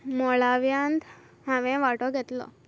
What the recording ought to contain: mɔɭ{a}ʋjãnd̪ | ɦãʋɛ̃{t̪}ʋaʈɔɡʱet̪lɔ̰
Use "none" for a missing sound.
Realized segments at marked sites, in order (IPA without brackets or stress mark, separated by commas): a, none